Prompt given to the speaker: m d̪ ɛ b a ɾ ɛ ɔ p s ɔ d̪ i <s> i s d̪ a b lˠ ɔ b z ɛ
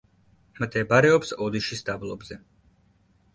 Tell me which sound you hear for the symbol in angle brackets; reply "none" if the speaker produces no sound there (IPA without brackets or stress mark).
ʃ